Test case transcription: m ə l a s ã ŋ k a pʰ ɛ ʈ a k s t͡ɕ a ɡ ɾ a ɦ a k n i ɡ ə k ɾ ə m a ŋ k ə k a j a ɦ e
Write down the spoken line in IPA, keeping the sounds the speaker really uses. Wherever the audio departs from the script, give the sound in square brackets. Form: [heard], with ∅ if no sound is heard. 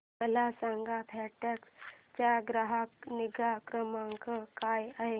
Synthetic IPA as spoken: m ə l a s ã ŋ [ɡ] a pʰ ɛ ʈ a k s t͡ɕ a ɡ ɾ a ɦ a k n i ɡ [a] k ɾ ə m a ŋ k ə k a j a ɦ e